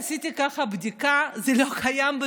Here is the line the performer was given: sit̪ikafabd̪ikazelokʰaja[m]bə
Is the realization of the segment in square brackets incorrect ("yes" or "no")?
no